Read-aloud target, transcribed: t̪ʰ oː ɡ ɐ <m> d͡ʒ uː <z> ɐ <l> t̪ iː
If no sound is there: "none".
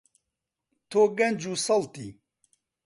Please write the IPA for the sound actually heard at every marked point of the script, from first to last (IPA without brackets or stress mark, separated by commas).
n, s, l